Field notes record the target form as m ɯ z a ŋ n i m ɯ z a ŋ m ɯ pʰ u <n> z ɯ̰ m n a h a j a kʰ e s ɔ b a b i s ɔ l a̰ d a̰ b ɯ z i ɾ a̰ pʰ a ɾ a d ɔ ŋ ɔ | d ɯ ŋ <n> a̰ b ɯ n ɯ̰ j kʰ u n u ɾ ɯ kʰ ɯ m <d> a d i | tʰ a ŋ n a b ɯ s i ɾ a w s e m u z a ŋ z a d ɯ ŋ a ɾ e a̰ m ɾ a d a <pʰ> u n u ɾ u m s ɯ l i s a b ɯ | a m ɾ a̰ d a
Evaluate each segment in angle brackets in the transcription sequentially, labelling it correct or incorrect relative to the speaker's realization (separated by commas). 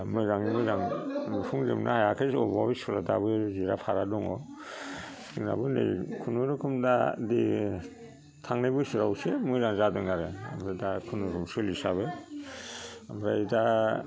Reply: incorrect, correct, correct, incorrect